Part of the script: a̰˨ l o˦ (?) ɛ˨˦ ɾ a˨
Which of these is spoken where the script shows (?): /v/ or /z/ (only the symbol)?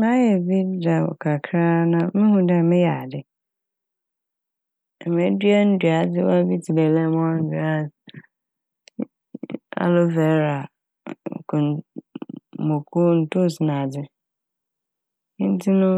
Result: v